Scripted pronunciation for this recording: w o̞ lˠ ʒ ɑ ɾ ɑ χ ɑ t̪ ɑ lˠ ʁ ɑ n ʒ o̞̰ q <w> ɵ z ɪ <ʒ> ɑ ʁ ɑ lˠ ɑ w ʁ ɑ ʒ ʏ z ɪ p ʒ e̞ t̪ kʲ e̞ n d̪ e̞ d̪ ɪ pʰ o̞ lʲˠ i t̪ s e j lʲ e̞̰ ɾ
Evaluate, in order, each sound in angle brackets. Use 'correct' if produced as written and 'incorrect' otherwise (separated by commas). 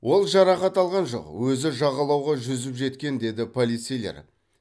correct, correct